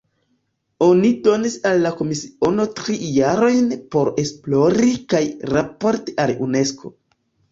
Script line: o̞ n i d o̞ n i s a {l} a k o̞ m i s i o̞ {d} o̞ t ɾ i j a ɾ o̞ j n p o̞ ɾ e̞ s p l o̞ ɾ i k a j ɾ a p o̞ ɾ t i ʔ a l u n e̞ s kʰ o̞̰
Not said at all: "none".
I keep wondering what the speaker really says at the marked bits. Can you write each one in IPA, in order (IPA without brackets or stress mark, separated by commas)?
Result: lː, n